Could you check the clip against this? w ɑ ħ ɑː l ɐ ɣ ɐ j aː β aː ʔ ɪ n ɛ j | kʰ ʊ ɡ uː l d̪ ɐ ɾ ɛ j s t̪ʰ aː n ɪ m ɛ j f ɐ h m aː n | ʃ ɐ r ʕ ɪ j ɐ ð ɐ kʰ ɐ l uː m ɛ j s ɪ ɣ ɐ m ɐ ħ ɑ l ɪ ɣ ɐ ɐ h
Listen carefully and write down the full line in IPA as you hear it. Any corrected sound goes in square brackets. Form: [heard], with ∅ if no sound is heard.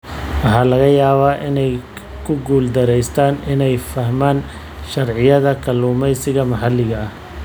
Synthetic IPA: w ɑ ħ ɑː l ɐ ɣ ɐ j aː β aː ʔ ɪ n ɛ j | kʰ ʊ ɡ uː l d̪ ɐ ɾ ɛ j s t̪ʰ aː n ɪ [n] ɛ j f ɐ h m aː n | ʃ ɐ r ʕ ɪ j ɐ ð ɐ kʰ ɐ l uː m ɛ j s ɪ ɣ ɐ m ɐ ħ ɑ l ɪ ɣ ɐ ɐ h